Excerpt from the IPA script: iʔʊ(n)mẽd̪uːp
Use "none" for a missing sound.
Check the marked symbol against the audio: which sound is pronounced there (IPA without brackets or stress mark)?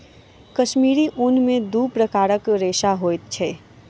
n